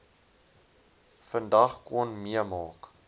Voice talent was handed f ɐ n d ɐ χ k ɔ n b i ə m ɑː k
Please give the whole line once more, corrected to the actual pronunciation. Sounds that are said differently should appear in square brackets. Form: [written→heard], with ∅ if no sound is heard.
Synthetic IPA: f [ɐ→ə] n d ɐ χ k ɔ n [b→m] i ə m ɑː k